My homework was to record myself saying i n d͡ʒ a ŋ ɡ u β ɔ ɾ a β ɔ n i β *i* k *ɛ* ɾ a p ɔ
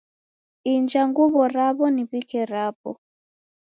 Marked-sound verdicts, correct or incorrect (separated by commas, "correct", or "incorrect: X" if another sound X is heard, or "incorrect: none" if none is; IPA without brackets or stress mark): correct, correct